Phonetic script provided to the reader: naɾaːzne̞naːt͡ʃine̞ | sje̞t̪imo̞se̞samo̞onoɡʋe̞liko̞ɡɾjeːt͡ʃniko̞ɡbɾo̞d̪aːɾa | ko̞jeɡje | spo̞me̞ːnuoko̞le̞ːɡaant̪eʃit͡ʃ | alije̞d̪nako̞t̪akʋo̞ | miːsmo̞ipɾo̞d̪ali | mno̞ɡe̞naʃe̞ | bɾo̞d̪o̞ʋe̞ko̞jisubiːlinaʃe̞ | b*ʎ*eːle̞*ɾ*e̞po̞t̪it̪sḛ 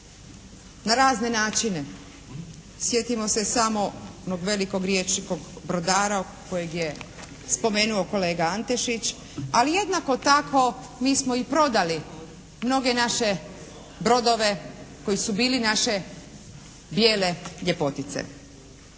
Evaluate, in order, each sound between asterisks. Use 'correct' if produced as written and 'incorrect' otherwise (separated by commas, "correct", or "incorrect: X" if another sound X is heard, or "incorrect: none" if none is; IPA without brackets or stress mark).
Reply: incorrect: j, incorrect: ʎ